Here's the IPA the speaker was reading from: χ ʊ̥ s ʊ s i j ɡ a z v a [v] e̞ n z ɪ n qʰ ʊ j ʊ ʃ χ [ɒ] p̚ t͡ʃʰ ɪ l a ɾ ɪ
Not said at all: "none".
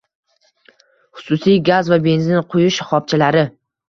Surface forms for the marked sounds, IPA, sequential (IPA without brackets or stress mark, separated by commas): b, ɒ